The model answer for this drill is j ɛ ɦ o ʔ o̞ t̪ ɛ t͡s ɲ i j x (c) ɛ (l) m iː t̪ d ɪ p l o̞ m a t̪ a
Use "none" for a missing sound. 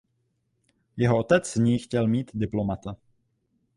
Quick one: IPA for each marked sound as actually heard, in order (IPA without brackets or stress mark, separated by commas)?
c, l